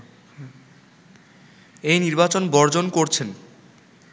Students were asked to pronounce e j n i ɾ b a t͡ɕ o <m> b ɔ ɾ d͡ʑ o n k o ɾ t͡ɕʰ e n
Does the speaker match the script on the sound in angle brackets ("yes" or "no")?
no